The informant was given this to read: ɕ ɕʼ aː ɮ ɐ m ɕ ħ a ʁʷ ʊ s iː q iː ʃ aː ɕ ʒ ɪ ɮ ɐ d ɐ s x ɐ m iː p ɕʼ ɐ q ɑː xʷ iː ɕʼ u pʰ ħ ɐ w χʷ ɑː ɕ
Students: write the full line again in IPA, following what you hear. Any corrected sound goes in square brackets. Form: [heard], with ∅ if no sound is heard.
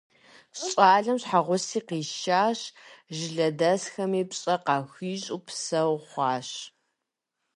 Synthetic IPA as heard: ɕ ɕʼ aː ɮ ɐ m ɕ ħ a ʁʷ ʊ s iː q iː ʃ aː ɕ ʒ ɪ ɮ ɐ d ɐ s x ɐ m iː p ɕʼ ɐ q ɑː xʷ iː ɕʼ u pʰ [s] ɐ w χʷ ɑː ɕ